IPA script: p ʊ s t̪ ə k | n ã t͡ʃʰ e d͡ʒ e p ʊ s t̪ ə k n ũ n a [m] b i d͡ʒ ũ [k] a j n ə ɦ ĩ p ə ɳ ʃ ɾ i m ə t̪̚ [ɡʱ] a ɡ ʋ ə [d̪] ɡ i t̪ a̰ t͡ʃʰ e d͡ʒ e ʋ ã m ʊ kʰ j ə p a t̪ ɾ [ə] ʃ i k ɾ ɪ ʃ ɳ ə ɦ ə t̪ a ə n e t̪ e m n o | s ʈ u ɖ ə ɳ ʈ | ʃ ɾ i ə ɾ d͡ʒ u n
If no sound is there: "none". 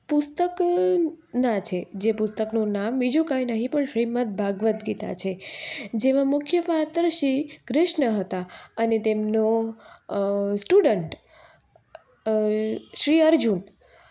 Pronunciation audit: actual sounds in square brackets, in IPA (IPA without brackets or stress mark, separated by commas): m, k, bʱ, t̪, ə